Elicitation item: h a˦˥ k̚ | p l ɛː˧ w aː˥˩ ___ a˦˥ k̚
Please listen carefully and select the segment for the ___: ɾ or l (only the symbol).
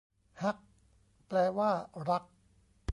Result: ɾ